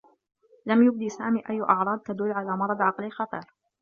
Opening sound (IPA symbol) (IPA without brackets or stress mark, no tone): l